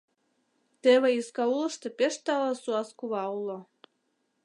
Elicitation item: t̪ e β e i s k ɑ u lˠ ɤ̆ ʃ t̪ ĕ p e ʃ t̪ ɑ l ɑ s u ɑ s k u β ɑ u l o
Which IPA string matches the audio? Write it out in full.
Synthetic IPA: t̪ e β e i s k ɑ u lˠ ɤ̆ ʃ t̪ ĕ p e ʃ t̪ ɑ l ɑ s u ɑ s k u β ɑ u l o

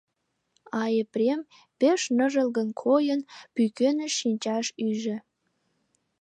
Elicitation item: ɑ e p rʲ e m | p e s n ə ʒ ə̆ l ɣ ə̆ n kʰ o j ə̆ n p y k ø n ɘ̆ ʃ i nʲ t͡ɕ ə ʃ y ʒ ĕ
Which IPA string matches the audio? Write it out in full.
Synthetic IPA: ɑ e p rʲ e m | p e ʃ n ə ʒ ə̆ l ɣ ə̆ n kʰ o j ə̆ n p y k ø n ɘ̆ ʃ i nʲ t͡ɕ ɑ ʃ y ʒ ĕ

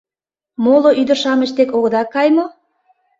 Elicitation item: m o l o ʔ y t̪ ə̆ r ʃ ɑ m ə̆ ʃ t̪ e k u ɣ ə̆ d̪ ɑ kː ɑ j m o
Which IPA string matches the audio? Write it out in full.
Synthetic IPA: m o l o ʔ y d̪ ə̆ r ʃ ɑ m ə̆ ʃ t̪ e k o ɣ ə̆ d̪ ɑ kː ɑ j m o

